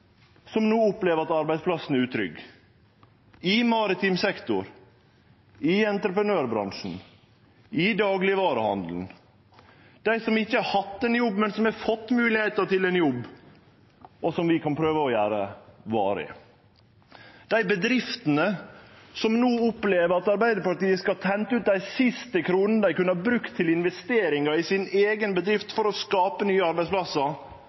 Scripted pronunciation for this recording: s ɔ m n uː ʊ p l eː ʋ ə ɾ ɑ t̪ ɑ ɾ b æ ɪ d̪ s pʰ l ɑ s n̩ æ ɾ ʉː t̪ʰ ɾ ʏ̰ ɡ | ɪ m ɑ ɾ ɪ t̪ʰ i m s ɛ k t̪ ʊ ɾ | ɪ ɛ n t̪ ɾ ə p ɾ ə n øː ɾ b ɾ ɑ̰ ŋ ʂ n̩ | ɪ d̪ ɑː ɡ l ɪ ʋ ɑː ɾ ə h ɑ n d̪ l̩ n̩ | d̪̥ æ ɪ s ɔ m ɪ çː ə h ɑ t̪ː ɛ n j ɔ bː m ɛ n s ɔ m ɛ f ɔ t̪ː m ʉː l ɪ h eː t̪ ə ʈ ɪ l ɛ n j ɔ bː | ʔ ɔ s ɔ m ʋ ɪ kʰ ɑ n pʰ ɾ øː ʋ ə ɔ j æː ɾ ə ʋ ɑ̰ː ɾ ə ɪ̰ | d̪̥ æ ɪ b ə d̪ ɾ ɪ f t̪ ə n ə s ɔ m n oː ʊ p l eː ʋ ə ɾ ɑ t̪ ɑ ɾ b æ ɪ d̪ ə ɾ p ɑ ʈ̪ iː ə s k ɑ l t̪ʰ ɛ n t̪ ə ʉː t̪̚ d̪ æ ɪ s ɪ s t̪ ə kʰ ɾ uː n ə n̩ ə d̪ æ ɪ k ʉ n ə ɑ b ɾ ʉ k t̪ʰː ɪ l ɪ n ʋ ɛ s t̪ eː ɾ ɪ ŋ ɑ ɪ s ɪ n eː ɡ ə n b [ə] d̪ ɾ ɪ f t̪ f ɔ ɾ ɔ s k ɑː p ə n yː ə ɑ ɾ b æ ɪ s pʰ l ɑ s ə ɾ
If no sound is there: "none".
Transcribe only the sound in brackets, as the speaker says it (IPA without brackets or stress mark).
ə